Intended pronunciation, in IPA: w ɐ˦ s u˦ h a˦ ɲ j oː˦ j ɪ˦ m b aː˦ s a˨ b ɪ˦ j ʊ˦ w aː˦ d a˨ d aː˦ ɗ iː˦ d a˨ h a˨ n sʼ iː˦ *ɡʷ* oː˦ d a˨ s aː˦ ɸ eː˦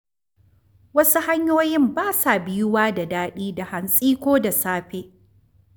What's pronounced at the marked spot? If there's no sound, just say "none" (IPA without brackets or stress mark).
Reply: kʷ